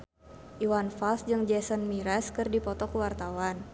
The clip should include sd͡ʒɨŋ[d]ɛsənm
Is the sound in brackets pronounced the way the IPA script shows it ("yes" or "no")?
no